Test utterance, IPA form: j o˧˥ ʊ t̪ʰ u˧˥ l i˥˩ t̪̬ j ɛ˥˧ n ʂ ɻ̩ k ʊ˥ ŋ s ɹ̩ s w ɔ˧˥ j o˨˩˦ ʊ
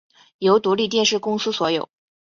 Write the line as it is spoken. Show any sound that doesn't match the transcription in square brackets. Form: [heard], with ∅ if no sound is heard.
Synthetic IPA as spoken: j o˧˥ ʊ [t̪] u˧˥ l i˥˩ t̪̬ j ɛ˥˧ n ʂ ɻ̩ k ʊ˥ ŋ s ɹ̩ s w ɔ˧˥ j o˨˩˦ ʊ